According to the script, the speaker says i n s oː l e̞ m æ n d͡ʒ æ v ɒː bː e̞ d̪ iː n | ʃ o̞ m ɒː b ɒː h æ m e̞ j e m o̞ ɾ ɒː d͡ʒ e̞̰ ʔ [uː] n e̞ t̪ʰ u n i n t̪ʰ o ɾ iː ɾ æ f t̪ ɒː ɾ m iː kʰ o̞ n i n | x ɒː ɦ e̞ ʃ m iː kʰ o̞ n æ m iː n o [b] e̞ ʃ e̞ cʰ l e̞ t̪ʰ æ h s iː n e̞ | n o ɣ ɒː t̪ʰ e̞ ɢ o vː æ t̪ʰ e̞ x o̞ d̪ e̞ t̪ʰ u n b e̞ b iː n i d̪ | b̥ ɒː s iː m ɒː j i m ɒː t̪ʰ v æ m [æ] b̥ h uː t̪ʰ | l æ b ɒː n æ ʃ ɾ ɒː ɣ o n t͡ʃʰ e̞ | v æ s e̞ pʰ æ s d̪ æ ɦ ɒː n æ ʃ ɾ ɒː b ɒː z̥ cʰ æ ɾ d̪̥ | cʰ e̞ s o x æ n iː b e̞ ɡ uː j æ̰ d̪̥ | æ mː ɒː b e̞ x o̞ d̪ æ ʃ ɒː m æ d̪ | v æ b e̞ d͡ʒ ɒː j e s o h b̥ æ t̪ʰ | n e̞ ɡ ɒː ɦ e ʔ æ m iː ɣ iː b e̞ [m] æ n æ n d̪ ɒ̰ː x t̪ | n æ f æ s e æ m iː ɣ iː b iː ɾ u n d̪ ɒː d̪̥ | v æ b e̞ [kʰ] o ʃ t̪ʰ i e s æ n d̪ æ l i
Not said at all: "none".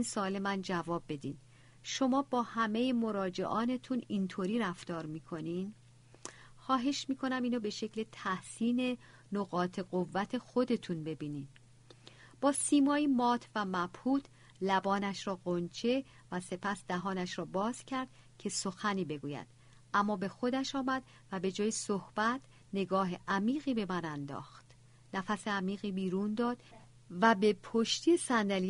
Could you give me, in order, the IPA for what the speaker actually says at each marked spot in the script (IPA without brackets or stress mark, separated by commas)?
ɒː, b, æ, m, pʰ